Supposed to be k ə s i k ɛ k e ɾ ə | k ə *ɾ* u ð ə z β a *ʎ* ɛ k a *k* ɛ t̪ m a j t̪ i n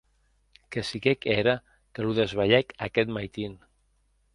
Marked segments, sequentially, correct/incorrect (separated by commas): incorrect, correct, correct